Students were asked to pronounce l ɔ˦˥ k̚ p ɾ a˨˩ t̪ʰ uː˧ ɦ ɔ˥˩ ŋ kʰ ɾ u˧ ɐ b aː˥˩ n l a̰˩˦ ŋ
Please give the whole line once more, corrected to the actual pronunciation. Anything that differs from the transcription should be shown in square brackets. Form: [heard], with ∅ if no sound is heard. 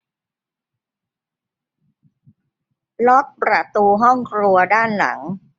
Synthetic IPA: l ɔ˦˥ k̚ p ɾ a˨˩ [t̪] uː˧ ɦ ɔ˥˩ ŋ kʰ ɾ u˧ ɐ [d] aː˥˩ n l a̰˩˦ ŋ

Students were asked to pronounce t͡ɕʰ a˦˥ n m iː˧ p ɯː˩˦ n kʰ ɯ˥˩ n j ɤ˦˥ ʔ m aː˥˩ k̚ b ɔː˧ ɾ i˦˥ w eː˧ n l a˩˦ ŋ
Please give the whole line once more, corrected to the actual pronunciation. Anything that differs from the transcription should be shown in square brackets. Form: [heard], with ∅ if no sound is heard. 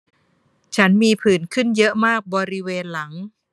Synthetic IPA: t͡ɕʰ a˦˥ n m iː˧ [pʰ] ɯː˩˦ n kʰ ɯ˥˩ n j ɤ˦˥ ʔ m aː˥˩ k̚ b ɔː˧ ɾ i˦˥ w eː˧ n l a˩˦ ŋ

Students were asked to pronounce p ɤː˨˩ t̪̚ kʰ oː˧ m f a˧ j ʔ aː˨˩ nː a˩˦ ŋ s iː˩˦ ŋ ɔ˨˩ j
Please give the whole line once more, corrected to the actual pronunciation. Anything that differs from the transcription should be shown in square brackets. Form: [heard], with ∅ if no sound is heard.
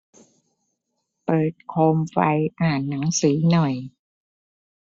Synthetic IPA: p ɤː˨˩ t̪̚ kʰ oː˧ m f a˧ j ʔ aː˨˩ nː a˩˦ ŋ s iː˩˦ [n] ɔ˨˩ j

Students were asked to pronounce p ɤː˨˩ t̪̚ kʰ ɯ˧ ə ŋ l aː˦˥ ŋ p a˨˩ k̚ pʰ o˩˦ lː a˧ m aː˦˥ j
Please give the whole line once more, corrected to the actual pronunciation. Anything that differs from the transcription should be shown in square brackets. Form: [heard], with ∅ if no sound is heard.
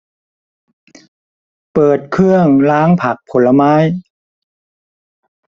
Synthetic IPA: p ɤː˨˩ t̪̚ kʰ [ɯ˥˩] ə ŋ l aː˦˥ ŋ [pʰ] a˨˩ k̚ pʰ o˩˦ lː a˧ m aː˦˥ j

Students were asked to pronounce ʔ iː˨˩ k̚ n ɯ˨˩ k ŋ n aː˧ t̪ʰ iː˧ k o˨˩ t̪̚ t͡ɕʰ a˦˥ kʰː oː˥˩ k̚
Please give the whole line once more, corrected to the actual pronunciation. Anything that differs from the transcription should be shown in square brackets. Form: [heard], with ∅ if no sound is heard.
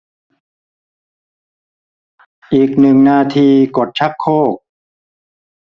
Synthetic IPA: ʔ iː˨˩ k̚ n ɯ˨˩ [∅] ŋ n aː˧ t̪ʰ iː˧ k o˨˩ t̪̚ t͡ɕʰ a˦˥ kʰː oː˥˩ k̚

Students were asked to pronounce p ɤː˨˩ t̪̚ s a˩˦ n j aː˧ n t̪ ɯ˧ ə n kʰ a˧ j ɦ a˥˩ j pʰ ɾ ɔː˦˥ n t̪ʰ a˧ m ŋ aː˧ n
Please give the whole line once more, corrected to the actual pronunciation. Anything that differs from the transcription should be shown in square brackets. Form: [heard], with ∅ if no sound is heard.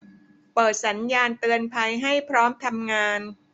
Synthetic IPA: p ɤː˨˩ t̪̚ s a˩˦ n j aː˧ n t̪ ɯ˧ ə n [pʰ] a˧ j ɦ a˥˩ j pʰ ɾ ɔː˦˥ [m] t̪ʰ a˧ m ŋ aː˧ n

